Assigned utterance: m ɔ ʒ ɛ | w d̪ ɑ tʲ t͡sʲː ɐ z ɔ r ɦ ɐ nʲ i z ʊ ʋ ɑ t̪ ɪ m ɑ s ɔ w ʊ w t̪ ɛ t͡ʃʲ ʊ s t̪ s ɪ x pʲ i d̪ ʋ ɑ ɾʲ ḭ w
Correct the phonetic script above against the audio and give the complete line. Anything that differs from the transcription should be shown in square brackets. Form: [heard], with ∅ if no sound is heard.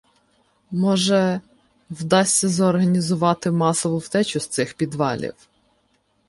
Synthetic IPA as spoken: m ɔ ʒ ɛ | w d̪ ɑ [sʲ] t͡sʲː ɐ z ɔ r ɦ ɐ nʲ i z ʊ ʋ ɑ t̪ ɪ m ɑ s ɔ [ʋ] ʊ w t̪ ɛ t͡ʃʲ ʊ s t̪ s ɪ x pʲ i d̪ ʋ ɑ [lʲ] ḭ w